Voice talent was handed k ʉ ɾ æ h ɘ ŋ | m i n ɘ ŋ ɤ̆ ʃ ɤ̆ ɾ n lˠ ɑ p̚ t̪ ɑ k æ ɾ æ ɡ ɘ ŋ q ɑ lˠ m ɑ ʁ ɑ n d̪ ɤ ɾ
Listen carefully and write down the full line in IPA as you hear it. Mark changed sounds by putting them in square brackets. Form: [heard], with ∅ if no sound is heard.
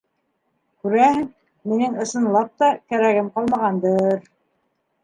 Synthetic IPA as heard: k ʉ ɾ æ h ɘ ŋ | m i n ɘ ŋ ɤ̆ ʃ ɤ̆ [∅] n lˠ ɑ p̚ t̪ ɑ k æ ɾ æ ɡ ɘ [m] q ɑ lˠ m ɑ ʁ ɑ n d̪ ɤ ɾ

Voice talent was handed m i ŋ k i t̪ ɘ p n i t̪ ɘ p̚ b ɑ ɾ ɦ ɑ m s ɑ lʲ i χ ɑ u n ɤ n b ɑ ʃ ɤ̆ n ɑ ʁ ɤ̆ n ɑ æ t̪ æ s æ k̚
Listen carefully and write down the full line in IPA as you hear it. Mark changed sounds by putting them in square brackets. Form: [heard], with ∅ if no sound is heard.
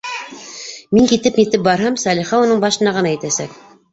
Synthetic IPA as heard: m i ŋ k i t̪ ɘ p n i t̪ ɘ p̚ b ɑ ɾ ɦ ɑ m s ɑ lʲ i χ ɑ u n ɤ [ɴ] b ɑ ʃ ɤ̆ n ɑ ʁ ɤ̆ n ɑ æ t̪ æ s æ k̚

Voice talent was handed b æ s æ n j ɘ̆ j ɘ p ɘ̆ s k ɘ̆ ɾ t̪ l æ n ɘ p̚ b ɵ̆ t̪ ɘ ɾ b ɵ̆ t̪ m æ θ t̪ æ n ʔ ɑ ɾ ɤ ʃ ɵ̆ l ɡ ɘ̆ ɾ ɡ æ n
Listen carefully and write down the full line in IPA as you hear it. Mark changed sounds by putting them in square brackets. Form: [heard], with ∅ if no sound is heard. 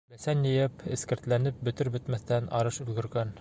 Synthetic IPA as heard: b æ s æ n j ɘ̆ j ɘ p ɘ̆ s k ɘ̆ ɾ t̪ l æ n ɘ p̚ b ɵ̆ t̪ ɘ ɾ b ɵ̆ t̪ m æ θ t̪ æ n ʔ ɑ ɾ ɤ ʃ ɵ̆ l ɡ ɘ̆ ɾ ɡ æ n

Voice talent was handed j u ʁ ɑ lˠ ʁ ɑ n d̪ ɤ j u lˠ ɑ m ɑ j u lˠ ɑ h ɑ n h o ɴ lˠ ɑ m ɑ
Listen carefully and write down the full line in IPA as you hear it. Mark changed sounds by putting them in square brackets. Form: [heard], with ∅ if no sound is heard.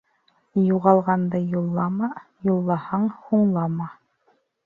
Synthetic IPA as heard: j u ʁ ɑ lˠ ʁ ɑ n d̪ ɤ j u [lˠː] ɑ m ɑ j u [lˠː] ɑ h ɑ [ɴ] h [u] ɴ lˠ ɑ m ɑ

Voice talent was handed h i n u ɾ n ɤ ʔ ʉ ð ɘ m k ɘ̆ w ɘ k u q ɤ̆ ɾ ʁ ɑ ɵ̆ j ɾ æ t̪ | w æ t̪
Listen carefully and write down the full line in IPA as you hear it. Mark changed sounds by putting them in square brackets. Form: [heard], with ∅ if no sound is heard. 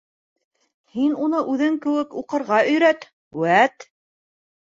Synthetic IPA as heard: h i n u [∅] n ɤ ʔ ʉ ð ɘ [ŋ] k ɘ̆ w ɘ k u q ɤ̆ ɾ ʁ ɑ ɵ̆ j ɾ æ t̪ | w æ t̪

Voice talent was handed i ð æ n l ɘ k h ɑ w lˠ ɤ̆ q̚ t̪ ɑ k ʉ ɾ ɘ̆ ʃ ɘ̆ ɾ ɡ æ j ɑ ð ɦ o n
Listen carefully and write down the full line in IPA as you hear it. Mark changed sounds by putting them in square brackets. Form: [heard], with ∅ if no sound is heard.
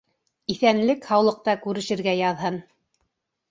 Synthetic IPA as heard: i [θ] æ n l ɘ k h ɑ w lˠ ɤ̆ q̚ t̪ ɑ k ʉ ɾ ɘ̆ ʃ ɘ̆ ɾ ɡ æ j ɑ ð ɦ [ɤ] n

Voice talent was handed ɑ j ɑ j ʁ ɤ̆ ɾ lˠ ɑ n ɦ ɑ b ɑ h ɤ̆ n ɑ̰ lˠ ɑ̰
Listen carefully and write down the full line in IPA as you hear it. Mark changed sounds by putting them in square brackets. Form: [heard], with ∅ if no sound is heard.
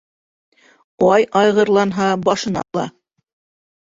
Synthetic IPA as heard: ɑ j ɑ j ʁ ɤ̆ ɾ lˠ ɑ n ɦ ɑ b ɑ [ʃ] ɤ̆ n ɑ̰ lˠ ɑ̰

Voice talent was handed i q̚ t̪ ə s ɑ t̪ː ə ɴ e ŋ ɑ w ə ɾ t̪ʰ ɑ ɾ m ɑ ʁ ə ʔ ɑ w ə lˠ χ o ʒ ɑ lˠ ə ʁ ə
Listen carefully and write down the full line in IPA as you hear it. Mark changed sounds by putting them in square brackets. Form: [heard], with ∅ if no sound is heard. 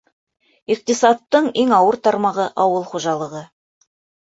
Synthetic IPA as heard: i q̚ t̪ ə s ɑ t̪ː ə ɴ e ŋ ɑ w ə ɾ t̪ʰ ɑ ɾ m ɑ ʁ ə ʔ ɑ w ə lˠ χ o ʒ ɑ lˠ ə ʁ ə

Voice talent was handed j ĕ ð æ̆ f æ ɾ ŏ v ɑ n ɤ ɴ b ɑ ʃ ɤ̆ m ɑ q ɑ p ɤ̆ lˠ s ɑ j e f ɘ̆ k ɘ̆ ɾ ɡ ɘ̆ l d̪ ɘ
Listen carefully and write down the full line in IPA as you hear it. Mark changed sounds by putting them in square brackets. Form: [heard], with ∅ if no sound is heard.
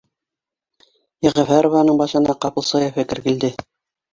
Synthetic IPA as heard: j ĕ [ʁ] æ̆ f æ ɾ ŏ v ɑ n ɤ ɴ b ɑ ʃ ɤ̆ [n] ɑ q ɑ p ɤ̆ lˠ s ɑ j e f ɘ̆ k ɘ̆ ɾ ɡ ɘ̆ l d̪ ɘ

